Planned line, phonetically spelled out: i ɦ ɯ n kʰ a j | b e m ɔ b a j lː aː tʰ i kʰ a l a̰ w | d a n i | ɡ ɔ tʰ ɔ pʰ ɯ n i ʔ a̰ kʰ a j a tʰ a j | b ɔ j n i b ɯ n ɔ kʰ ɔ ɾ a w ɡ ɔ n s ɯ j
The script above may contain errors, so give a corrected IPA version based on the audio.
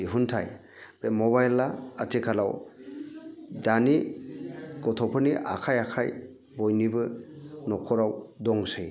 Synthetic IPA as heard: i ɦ u n tʰ a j | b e m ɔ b a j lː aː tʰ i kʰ a l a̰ w | d a n i | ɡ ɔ tʰ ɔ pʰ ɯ n i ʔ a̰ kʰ a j a kʰ a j | b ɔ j n i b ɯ n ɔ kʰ ɔ ɾ a w d ɔ ŋ s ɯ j